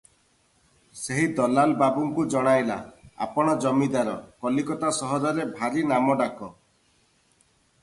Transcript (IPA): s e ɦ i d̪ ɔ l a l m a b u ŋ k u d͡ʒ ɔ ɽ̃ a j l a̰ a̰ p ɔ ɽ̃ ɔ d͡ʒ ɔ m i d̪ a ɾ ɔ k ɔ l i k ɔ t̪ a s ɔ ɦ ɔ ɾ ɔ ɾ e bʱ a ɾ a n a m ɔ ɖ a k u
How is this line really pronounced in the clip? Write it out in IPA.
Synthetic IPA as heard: s e ɦ i d̪ ɔ l a l b a b u ŋ k u d͡ʒ ɔ ɽ̃ a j l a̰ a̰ p ɔ ɽ̃ ɔ d͡ʒ ɔ m i d̪ a ɾ ɔ k ɔ l i k ɔ t̪ a s ɔ ɦ ɔ ɾ ɔ ɾ e bʱ a ɾ i n a m ɔ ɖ a k ɔ